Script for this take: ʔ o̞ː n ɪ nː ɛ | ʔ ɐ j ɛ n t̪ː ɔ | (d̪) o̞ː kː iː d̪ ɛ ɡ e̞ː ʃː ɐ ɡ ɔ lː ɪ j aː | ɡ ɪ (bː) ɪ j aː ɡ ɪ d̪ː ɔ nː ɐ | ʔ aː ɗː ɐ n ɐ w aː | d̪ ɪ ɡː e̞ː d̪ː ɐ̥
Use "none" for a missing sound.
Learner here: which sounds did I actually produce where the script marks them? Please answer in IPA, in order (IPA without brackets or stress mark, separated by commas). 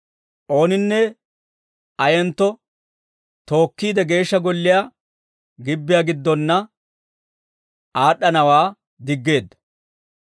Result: t̪, bː